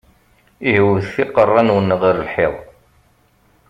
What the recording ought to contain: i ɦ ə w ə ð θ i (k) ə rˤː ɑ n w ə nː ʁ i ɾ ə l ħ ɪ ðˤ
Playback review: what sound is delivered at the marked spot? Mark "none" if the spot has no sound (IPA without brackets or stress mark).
q